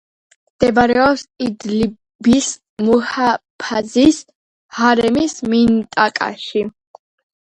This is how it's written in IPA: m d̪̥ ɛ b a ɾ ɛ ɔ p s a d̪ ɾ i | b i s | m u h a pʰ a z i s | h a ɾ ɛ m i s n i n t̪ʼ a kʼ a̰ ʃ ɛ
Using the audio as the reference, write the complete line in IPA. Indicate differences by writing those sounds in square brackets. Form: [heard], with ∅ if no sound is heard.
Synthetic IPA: m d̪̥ ɛ b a ɾ ɛ ɔ p s [i] d̪ [l] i | b i s | m u h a pʰ a z i s | h a ɾ ɛ m i s [m] i n t̪ʼ a kʼ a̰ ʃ [i]